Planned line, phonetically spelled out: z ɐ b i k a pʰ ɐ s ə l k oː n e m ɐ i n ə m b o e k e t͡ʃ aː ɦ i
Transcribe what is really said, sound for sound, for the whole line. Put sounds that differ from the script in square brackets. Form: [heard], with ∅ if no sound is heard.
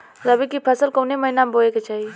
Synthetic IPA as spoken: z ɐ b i k [i] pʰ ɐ s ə l k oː n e m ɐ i n [a] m b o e k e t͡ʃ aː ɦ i